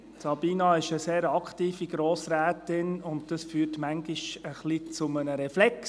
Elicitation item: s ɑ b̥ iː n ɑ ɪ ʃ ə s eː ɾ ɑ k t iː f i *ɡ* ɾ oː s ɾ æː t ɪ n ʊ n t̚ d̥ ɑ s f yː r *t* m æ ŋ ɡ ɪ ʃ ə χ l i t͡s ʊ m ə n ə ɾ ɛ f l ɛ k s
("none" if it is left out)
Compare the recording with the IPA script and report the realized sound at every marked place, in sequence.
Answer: ɡ, t

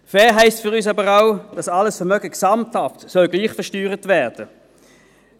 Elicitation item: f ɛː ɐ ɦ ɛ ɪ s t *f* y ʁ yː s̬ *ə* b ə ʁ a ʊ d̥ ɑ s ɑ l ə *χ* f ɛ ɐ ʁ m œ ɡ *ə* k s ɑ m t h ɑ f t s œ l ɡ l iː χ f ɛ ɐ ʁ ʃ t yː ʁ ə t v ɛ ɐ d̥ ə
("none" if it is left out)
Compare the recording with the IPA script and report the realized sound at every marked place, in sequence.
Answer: f, ɑ, s, ə

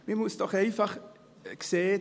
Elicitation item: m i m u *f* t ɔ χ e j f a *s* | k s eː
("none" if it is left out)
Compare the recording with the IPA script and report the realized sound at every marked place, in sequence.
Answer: s, χ

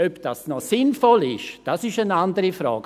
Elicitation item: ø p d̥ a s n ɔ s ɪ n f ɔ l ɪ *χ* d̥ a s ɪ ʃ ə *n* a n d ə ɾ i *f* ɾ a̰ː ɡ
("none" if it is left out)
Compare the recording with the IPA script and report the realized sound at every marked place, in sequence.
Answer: ʃ, n, f

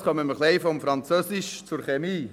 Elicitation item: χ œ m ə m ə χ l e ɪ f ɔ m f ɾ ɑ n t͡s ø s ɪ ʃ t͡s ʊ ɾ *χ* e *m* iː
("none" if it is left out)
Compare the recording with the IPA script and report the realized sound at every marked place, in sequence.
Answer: χ, m

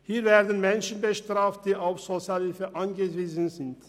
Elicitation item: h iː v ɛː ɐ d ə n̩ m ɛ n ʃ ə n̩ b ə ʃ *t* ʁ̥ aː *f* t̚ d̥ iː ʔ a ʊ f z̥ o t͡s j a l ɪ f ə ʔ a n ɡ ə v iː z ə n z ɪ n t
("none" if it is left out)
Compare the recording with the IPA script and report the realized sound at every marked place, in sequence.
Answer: t, f

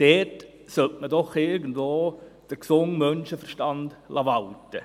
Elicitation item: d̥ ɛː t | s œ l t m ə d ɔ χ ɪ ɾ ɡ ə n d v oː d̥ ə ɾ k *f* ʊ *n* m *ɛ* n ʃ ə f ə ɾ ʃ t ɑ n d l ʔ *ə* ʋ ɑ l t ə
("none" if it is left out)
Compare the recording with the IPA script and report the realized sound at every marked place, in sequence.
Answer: s, ŋ, œ, ɑ

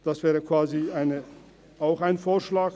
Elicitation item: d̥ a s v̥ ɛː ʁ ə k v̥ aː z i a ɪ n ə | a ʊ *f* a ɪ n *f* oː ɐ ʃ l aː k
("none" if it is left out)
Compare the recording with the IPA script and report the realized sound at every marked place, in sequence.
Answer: x, f

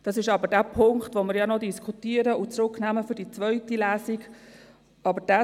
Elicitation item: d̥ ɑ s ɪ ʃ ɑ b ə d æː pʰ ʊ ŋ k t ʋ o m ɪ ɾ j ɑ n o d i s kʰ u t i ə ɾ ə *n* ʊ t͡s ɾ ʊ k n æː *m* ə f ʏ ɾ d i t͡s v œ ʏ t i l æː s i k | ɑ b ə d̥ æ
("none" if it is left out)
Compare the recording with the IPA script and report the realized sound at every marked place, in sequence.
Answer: none, m

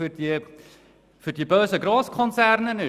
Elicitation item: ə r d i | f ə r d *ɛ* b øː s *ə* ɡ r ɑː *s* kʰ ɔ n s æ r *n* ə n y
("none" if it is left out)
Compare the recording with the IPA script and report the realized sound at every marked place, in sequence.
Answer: i, ə, s, n

